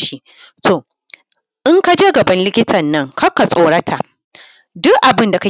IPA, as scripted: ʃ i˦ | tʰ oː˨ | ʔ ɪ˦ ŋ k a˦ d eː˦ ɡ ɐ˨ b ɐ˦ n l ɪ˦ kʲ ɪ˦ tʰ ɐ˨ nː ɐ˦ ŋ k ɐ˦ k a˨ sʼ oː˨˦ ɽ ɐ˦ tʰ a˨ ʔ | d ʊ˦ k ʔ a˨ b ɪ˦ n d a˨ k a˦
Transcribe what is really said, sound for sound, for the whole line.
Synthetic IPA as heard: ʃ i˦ | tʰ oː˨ | ʔ ɪ˦ ŋ k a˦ d͡ʒ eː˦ ɡ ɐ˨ b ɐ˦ n l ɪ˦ kʲ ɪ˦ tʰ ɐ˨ nː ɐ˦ ŋ k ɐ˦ k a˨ sʼ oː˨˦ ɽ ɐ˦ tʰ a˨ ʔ | d ʊ˦ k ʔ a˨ b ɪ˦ n d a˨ k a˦